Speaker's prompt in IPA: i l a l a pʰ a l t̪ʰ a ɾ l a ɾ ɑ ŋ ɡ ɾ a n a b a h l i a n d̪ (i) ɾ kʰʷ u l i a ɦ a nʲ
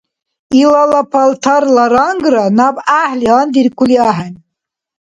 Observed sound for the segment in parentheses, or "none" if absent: i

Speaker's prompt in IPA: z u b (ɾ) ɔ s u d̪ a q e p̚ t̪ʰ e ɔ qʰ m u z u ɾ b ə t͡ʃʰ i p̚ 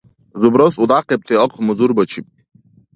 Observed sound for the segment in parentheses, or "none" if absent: ɾ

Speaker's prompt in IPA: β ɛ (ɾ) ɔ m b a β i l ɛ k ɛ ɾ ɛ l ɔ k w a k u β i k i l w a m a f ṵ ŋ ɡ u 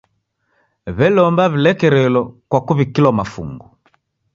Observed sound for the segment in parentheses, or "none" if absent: l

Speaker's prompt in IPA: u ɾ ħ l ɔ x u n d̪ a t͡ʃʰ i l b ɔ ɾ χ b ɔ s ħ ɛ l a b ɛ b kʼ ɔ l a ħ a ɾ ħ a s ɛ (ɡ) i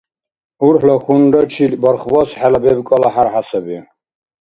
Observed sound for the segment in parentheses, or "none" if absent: b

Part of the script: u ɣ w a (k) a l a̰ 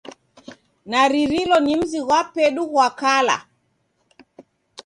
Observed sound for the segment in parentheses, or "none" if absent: k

